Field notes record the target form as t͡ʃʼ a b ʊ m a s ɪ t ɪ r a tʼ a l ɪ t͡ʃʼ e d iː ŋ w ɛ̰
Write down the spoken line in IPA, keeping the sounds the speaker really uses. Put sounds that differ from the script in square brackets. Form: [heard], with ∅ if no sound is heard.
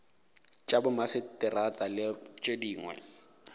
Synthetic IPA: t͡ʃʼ a b ʊ m a s ɪ t ɪ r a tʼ a l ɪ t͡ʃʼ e d iː ŋ w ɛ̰